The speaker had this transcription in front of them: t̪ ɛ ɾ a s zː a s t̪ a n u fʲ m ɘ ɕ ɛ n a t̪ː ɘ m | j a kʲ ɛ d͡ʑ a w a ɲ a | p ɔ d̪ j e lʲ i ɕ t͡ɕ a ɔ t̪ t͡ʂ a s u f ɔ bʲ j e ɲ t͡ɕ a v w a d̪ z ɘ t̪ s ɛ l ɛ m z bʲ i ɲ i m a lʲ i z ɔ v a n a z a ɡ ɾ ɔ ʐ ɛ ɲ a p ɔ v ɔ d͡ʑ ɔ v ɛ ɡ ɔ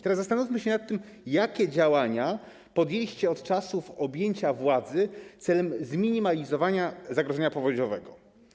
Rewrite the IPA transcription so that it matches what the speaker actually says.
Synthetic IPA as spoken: t̪ ɛ ɾ a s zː a s t̪ a n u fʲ m ɘ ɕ ɛ n a t̪ː ɘ m | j a kʲ ɛ d͡ʑ a w a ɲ a | p ɔ d̪ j e lʲ i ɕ t͡ɕ ɛ ɔ t̪ t͡ʂ a s u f ɔ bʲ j e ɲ t͡ɕ a v w a d̪ z ɘ t̪ s ɛ l ɛ m z mʲ i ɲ i m a lʲ i z ɔ v a ɲ a z a ɡ ɾ ɔ ʐ ɛ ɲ a p ɔ v ɔ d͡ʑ ɔ v ɛ ɡ ɔ

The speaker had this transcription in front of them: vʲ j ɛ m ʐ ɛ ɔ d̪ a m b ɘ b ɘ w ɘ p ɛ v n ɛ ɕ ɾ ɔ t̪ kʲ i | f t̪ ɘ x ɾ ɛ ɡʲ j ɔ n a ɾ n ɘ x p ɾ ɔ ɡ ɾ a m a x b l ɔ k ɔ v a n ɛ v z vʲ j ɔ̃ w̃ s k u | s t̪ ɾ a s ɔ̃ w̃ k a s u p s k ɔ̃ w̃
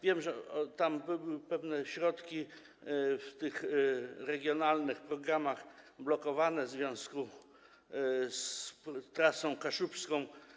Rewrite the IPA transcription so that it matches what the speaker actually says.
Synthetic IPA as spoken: vʲ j ɛ m ʐ ɛ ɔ t̪ a m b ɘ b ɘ w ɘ p ɛ v n ɛ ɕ ɾ ɔ t̪ kʲ i | f t̪ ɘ x ɾ ɛ ɡʲ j ɔ n a l n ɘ x p ɾ ɔ ɡ ɾ a m a x b l ɔ k ɔ v a n ɛ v z vʲ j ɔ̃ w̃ s k u | s t̪ ɾ a s ɔ̃ w̃ k a ʂ u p s k ɔ̃ w̃

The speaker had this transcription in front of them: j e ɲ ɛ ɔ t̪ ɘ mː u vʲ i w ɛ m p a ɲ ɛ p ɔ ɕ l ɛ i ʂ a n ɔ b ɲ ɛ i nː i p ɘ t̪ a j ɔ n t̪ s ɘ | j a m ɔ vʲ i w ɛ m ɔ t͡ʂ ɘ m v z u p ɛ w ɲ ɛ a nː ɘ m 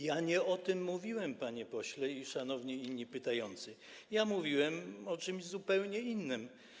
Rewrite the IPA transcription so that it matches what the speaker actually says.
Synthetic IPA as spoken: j a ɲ ɛ ɔ t̪ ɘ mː u vʲ i w ɛ m p a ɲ ɛ p ɔ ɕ l ɛ i ʂ a n ɔ v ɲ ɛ i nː i p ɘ t̪ a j ɔ n t̪ s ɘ | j a m u vʲ i w ɛ m ɔ t͡ʂ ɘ m ʑ z u p ɛ w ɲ ɛ i nː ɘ m

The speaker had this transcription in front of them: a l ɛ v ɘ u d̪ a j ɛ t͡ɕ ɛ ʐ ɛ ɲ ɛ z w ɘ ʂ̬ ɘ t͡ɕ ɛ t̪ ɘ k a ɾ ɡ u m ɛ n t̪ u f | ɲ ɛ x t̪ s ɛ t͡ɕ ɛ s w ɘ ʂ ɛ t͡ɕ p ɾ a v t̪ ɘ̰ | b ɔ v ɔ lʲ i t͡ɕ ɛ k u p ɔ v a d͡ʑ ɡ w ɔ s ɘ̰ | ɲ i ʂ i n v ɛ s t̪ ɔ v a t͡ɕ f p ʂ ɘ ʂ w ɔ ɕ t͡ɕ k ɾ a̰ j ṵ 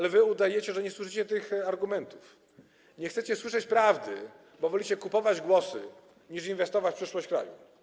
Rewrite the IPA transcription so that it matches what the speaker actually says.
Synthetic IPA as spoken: a l ɛ v ɘ u d̪ a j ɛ t͡ɕ ɛ ʐ ɛ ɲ ɛ s w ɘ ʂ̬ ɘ t͡ɕ ɛ t̪ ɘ x a ɾ ɡ u m ɛ n t̪ u f | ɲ ɛ x t̪ s ɛ t͡ɕ ɛ s w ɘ ʂ ɛ t͡ɕ p ɾ a v d̪ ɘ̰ | b ɔ v ɔ lʲ i t͡ɕ ɛ k u p ɔ v a d͡ʑ ɡ w ɔ s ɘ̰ | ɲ i ʂ i n v ɛ s t̪ ɔ v a t͡ɕ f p ʂ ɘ ʂ w ɔ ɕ t͡ɕ k ɾ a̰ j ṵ

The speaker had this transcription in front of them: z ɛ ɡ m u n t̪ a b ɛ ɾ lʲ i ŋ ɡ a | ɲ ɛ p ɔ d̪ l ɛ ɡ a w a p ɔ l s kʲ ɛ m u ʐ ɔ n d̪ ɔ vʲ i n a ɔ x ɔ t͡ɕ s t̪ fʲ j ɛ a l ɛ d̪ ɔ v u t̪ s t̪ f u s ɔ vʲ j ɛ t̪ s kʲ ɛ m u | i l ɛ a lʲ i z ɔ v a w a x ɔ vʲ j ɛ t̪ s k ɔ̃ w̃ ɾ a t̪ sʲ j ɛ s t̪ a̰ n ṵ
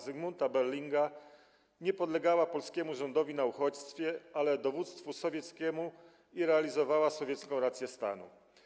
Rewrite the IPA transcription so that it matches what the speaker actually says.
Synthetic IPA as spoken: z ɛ ɡ m u n t̪ a b ɛ ɾ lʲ i ŋ ɡ a | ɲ ɛ p ɔ d̪ l ɛ ɡ a w a p ɔ l s kʲ ɛ m u ʐ ɔ n d̪ ɔ vʲ i n a u x ɔ t͡ɕ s t̪ fʲ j ɛ a l ɛ d̪ ɔ v u t̪ s t̪ f u s ɔ vʲ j ɛ t̪ s kʲ ɛ m u | i ɾ ɛ a lʲ i z ɔ v a w a s ɔ vʲ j ɛ t̪ s k ɔ̃ w̃ ɾ a t̪ sʲ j ɛ s t̪ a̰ n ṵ

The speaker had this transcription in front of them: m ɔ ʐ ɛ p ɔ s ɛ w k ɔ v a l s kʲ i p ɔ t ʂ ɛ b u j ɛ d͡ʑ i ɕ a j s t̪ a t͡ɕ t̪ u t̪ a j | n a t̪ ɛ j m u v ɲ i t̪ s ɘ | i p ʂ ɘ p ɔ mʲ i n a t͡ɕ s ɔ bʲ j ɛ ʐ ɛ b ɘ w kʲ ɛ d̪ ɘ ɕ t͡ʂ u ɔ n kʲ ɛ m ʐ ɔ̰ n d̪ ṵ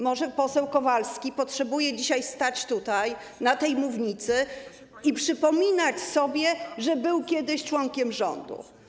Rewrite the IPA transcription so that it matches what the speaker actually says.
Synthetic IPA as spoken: m ɔ ʐ ɛ p ɔ s ɛ w k ɔ v a l s kʲ i p ɔ t ʂ ɛ b u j ɛ d͡ʑ i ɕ a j s t̪ a t͡ɕ t̪ u t̪ a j | n a t̪ ɛ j m u v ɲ i t̪ s ɘ | i p ʂ ɘ p ɔ mʲ i n a t͡ɕ s ɔ bʲ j ɛ ʐ ɛ b ɘ w kʲ ɛ d̪ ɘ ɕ t͡ʂ w ɔ ŋ kʲ ɛ m ʐ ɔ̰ n d̪ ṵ

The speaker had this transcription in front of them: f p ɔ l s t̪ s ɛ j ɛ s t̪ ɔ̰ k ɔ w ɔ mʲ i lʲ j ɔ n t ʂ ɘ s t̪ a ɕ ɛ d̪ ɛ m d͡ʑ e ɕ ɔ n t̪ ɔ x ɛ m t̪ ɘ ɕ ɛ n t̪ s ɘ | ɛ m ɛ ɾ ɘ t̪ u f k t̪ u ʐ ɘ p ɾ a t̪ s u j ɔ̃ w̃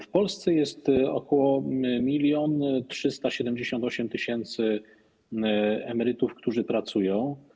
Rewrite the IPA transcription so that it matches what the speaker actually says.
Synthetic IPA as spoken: f p ɔ l s t̪ s ɛ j ɛ s t̪ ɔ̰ k ɔ w ɔ mʲ i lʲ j ɔ n t ʂ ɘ s t̪ a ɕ ɛ d̪ ɛ m d͡ʑ e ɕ ɔ n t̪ ɔ ɕ ɛ m t̪ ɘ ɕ ɛ n t̪ s ɘ | ɛ m ɛ ɾ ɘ t̪ u f k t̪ u ʐ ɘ p ɾ a t̪ s u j ɔ̃ w̃

